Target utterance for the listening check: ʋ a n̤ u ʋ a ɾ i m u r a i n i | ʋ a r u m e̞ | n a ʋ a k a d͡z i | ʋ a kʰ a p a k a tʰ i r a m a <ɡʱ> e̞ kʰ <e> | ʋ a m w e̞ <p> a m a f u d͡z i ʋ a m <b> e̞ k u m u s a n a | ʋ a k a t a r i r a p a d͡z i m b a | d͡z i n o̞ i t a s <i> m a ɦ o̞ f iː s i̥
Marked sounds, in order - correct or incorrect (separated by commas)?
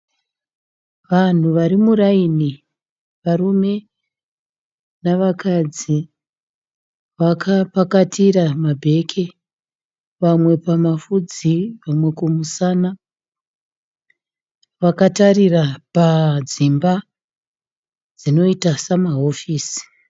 incorrect, correct, correct, incorrect, incorrect